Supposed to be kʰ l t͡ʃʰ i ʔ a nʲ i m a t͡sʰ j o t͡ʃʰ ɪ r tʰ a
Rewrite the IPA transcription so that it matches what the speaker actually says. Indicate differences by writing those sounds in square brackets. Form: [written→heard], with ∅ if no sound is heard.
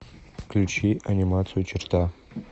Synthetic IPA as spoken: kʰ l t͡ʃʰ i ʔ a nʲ i m a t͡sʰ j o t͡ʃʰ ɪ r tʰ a